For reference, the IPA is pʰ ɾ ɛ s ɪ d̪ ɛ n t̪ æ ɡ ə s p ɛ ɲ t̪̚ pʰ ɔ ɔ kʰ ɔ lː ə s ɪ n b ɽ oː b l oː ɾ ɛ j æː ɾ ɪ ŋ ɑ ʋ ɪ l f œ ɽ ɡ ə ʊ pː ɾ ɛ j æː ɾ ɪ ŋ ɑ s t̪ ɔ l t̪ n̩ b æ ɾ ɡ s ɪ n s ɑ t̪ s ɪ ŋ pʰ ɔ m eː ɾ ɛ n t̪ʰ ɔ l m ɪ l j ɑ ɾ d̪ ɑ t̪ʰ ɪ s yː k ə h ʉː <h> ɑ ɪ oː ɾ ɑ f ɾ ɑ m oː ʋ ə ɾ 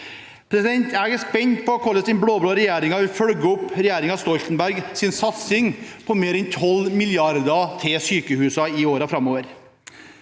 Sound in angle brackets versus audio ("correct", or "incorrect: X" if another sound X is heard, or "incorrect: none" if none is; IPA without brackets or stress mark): incorrect: s